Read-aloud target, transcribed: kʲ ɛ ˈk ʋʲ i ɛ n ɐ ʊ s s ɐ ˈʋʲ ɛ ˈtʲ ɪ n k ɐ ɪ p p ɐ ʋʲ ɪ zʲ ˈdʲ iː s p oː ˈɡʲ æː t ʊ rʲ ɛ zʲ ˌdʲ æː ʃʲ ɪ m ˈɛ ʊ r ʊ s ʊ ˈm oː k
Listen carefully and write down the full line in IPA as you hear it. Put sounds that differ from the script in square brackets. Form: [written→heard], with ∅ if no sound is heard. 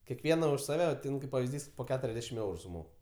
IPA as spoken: kʲ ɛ ˈk ʋʲ i ɛ n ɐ ʊ [s→ʃ] s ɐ ˈʋʲ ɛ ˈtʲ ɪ n k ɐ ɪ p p ɐ ʋʲ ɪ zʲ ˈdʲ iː s p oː [ˈɡʲ→ˈkʲ] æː t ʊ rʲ ɛ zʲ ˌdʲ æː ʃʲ ɪ m ˈɛ ʊ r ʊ s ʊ ˈm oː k